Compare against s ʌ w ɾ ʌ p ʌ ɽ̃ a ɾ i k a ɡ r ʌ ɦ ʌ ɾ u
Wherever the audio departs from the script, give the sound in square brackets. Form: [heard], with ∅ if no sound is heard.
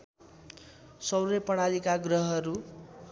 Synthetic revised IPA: s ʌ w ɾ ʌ p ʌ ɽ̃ a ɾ i k a ɡ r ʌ ɦ ʌ ɾ u